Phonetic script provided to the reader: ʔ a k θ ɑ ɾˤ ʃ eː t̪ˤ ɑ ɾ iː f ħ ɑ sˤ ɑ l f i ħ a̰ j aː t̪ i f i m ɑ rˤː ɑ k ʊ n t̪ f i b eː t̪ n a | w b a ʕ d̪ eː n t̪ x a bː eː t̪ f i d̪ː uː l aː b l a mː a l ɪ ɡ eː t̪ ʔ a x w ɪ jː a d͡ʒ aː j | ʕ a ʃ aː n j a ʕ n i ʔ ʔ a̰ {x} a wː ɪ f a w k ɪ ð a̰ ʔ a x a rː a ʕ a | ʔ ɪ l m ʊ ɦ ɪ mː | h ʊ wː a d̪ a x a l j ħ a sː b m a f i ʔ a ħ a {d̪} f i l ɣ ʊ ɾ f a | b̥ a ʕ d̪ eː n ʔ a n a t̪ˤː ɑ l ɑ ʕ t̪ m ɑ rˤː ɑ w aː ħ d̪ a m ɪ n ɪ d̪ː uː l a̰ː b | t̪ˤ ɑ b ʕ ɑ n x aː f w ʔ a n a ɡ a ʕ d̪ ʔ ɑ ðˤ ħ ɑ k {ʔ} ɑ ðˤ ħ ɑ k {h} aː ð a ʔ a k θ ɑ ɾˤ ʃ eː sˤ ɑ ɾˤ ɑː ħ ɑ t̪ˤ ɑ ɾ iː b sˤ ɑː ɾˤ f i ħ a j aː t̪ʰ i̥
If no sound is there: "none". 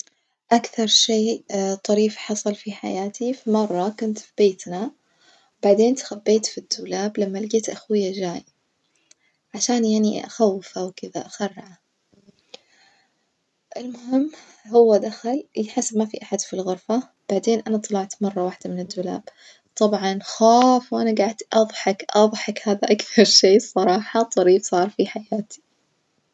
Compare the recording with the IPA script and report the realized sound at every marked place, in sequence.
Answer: x, d̪, ʔ, h

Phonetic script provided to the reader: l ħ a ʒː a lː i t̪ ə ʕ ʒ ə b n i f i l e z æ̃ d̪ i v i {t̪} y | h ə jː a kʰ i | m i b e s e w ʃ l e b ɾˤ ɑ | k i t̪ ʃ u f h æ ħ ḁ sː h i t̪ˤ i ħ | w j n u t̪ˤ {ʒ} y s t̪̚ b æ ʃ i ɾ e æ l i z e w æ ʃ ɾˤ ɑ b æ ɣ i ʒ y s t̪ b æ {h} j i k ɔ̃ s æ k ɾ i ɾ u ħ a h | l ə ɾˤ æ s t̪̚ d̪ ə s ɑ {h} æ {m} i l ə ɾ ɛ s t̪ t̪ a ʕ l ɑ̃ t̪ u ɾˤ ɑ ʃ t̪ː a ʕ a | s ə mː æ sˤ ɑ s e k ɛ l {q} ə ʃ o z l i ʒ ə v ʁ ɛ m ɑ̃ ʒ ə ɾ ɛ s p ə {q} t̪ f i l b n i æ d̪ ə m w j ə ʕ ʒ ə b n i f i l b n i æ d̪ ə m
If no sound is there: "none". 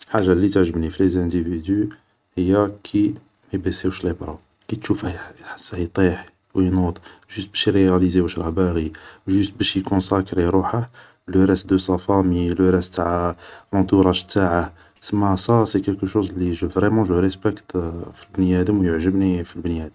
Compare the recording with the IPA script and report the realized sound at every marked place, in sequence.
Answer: d̪, ʒ, ʃ, f, m, k, k

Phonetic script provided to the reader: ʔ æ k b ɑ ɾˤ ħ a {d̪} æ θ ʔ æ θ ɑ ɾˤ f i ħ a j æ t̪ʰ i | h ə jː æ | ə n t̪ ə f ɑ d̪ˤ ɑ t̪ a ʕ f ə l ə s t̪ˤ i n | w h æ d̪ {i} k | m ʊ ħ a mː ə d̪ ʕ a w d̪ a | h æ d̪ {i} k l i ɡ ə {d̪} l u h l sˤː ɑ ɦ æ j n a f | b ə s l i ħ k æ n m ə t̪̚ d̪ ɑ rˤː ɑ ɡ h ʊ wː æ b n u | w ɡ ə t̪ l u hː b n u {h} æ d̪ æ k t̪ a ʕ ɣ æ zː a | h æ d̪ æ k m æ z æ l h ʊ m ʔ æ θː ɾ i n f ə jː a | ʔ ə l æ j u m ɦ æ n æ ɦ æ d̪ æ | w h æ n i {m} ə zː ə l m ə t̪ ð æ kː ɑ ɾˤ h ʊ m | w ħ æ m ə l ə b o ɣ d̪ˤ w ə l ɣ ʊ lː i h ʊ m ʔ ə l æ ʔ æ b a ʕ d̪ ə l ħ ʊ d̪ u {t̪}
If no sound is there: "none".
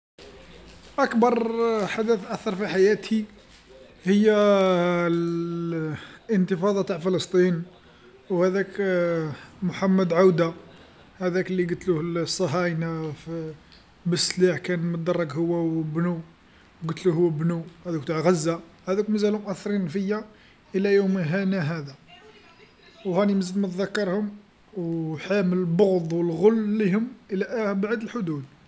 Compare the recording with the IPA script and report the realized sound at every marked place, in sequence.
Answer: d̪, æ, æ, t̪, h, m, d̪

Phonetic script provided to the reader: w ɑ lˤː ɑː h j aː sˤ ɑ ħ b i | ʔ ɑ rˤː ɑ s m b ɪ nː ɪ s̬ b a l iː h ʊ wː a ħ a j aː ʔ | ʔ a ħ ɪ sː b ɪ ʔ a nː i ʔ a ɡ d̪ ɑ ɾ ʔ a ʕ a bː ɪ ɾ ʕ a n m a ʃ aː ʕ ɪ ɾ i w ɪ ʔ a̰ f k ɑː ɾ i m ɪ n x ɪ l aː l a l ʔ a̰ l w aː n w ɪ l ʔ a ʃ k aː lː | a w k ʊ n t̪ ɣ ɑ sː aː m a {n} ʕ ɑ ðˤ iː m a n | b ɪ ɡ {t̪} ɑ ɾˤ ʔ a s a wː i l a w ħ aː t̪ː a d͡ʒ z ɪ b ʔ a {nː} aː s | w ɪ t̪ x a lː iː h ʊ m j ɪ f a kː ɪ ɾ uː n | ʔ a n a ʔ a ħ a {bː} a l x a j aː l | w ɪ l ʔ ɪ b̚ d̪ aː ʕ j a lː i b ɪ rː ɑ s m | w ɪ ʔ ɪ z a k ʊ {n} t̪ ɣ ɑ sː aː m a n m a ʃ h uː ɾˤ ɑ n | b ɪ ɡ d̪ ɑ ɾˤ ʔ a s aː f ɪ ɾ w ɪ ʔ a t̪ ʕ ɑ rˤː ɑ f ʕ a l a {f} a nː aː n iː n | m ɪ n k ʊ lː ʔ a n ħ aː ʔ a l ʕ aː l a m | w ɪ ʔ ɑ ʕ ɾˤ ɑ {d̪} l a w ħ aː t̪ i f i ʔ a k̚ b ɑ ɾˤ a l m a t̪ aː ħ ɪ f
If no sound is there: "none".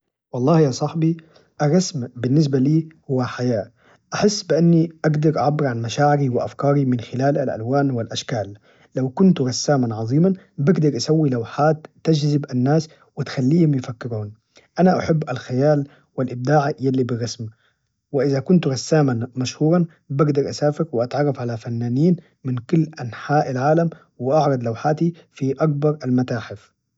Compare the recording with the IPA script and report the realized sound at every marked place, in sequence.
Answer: n, d̪, nː, bː, n, f, d̪

